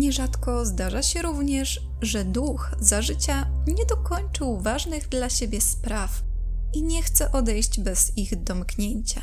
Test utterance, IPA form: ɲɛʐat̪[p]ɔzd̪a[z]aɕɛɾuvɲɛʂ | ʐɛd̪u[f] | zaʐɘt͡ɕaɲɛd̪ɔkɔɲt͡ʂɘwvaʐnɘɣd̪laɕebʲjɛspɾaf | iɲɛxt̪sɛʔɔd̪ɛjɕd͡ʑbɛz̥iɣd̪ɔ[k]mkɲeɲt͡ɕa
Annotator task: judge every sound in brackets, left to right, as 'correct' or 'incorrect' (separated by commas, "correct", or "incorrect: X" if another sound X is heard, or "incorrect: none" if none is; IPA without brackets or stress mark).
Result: incorrect: k, incorrect: ʐ, incorrect: x, incorrect: none